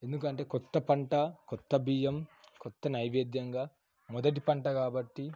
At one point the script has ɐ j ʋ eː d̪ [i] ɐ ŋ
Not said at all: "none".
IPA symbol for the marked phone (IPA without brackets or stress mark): j